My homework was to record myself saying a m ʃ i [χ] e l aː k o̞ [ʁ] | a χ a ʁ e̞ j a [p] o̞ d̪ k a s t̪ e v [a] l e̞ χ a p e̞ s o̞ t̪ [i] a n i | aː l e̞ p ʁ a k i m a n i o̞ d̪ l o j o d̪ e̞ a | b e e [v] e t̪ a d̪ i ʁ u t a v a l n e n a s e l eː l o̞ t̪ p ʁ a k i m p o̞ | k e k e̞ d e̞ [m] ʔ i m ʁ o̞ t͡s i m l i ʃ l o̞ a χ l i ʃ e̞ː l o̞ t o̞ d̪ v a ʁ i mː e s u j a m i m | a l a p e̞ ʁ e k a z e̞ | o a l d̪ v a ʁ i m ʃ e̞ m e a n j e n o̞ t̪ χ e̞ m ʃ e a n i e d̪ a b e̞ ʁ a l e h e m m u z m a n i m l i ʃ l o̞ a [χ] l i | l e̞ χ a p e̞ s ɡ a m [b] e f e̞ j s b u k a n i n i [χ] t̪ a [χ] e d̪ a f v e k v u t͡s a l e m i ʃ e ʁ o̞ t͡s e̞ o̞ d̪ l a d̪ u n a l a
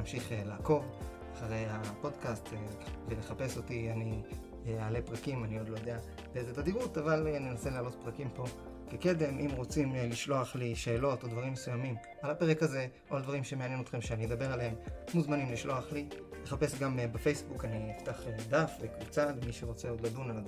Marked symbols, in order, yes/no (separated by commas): yes, no, yes, no, yes, no, yes, yes, yes, no, yes